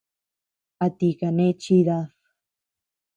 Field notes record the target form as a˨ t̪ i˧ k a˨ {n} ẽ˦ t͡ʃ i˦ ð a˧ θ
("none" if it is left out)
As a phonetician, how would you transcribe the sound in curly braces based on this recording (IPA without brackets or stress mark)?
n